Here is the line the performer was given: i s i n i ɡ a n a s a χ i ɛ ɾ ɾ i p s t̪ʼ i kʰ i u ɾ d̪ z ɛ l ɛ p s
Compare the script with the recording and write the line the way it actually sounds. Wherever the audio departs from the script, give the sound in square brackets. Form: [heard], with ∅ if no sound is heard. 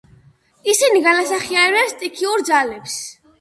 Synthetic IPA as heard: i s i n i ɡ a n a s a χ i [a] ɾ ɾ [ɛ] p s t̪ʼ i kʰ i u ɾ d̪ z [a] l ɛ p s